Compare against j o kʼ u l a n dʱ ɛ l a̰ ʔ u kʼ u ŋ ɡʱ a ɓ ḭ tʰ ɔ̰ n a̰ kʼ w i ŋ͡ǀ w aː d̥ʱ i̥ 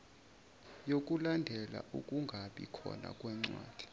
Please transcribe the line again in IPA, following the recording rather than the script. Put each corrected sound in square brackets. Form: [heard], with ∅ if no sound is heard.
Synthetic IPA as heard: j o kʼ u l a n dʱ ɛ l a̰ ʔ u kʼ u ŋ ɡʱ a ɓ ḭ [kʰ] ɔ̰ n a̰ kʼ w [ɛ] ŋ͡ǀ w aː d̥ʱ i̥